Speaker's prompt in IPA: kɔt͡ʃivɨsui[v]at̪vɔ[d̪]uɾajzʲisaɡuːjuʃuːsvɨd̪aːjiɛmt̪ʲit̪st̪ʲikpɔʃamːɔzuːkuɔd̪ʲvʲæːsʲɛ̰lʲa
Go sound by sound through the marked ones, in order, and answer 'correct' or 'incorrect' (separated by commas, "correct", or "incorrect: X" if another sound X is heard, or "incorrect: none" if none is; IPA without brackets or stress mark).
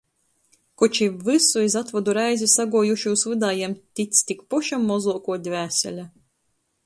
incorrect: z, correct